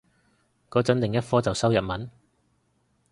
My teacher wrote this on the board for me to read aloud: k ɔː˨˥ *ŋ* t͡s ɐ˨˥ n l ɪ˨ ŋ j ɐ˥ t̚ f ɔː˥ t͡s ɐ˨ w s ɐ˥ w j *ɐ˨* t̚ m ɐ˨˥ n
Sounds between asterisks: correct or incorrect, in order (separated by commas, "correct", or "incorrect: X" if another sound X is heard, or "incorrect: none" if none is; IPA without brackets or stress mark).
incorrect: none, correct